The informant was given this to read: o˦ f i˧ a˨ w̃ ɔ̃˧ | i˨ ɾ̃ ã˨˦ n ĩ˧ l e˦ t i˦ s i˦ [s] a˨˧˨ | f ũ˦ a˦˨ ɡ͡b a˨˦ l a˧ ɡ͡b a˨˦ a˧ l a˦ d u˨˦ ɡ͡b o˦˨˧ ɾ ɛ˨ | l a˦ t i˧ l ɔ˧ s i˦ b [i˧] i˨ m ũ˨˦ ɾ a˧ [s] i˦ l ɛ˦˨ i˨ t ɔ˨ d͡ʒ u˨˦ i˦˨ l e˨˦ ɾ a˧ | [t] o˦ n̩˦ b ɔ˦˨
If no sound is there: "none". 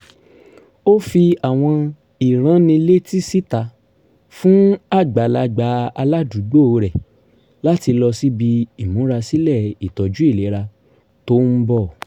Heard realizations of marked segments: t, i˧, s, t

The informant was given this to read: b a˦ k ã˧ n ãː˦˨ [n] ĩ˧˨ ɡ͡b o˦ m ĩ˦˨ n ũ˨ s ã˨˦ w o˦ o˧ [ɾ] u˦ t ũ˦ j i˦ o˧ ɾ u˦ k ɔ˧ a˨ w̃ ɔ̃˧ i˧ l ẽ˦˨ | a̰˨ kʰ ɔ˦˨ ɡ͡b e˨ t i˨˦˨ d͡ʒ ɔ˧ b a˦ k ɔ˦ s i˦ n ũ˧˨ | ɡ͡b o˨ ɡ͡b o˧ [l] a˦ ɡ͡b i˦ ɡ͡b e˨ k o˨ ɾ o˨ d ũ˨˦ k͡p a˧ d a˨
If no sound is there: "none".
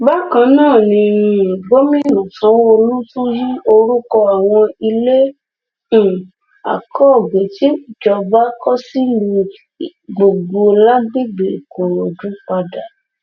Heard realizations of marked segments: n, l, l

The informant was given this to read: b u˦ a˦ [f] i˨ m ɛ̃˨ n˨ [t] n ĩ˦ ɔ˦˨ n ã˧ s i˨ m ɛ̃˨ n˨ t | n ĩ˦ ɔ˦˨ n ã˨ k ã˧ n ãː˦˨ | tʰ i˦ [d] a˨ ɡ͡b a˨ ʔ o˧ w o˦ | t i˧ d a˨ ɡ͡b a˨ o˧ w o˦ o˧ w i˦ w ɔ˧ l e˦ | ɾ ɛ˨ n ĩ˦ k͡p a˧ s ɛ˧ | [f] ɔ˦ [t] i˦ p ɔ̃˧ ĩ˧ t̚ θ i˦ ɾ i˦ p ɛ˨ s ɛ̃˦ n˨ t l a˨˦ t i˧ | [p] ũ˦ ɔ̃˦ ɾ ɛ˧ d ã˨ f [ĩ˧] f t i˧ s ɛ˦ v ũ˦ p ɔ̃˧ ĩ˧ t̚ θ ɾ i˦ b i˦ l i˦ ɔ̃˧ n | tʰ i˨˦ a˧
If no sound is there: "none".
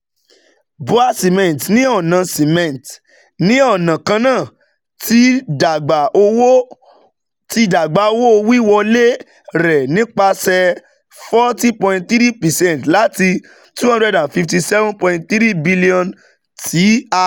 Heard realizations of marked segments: s, t, d, f, t, t, i˧

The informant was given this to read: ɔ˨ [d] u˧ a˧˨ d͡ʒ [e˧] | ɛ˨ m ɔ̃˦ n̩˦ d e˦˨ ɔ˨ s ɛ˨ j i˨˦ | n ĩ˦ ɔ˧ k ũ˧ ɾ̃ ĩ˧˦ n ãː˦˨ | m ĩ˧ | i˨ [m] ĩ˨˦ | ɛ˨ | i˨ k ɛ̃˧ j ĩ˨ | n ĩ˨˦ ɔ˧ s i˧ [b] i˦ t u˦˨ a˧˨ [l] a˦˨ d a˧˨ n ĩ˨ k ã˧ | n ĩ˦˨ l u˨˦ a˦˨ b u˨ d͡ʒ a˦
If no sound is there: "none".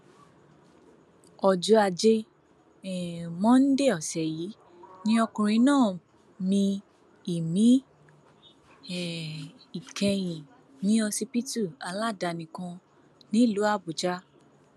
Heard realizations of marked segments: d͡ʒ, e˧, m, p, l

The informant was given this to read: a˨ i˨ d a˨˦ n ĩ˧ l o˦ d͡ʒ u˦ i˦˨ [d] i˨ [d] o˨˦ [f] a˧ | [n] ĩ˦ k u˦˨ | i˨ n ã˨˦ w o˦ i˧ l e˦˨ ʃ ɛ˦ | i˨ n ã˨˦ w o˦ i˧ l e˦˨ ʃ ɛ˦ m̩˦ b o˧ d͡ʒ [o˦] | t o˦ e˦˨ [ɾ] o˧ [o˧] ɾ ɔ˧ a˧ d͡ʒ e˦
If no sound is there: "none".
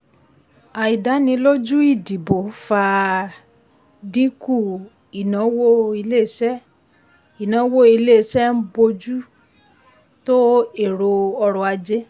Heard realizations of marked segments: d, b, f, d, u˦, ɾ, ɔ˧

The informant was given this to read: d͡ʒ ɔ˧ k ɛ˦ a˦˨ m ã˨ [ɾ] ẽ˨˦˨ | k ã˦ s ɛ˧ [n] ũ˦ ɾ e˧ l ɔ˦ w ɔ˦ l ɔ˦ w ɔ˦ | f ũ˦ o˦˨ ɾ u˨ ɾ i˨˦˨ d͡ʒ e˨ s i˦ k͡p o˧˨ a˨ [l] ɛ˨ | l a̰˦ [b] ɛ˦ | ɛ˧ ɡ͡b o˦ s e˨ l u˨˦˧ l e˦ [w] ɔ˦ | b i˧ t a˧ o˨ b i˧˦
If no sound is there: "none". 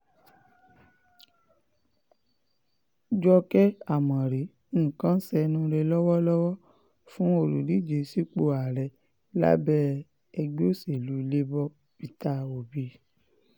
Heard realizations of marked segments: ɾ, n, ɾ, b, b

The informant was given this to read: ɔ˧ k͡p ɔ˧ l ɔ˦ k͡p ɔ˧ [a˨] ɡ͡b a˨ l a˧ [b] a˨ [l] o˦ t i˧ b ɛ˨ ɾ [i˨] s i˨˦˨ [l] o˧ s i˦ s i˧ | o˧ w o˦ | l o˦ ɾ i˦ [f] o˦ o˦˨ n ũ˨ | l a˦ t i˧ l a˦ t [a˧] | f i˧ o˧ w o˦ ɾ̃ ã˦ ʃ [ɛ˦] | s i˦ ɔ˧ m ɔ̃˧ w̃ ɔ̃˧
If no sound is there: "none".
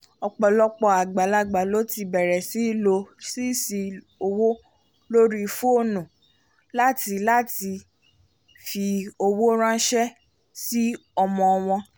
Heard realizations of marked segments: a˨, ɡ͡b, l, ɛ˨, l, f, i˧, ɛ˦

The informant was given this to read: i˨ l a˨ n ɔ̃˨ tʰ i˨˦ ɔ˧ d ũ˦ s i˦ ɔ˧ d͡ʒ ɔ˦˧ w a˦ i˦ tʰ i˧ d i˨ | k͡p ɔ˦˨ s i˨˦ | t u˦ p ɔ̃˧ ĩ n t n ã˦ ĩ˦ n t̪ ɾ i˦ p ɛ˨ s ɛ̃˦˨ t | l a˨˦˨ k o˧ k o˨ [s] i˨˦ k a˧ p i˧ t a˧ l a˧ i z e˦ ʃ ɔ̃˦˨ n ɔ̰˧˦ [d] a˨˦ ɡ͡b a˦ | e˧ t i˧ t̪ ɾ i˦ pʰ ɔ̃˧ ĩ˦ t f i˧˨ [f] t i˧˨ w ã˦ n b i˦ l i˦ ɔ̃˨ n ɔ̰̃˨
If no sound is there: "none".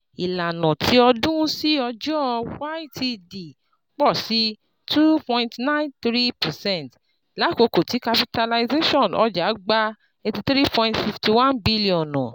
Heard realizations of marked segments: t, d͡ʒ, f

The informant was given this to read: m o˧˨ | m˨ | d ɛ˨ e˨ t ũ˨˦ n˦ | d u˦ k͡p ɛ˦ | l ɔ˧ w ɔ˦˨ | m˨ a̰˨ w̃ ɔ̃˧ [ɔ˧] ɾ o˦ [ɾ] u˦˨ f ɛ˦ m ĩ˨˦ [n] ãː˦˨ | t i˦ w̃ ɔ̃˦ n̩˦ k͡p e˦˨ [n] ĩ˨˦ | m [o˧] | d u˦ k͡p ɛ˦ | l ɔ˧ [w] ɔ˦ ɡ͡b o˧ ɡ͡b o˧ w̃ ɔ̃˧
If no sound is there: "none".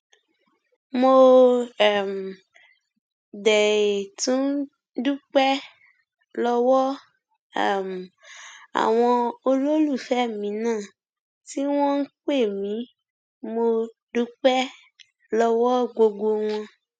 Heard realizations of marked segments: o˧, l, n, m, o˧, w

